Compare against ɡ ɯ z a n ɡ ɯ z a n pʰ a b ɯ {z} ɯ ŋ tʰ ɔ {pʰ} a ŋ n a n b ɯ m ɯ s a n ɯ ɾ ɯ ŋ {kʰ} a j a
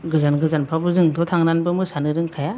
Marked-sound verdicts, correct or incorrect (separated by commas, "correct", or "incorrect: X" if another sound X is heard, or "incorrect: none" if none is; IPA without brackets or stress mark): correct, incorrect: tʰ, correct